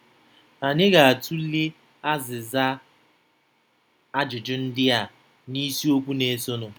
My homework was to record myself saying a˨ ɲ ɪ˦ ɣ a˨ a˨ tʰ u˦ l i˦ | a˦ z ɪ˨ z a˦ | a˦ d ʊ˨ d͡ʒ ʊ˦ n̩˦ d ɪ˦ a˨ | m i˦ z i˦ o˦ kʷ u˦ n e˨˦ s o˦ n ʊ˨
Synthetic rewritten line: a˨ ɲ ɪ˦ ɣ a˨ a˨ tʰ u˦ l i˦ | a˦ z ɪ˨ z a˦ | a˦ d͡ʒ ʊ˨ d͡ʒ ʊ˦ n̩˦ d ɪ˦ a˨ | n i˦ s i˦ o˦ kʷ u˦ n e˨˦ s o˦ n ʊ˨